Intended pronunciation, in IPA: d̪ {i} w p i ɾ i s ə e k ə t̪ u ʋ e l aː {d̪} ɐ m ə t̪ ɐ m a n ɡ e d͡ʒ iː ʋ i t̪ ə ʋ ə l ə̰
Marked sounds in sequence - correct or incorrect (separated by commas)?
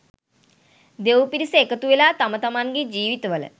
incorrect, incorrect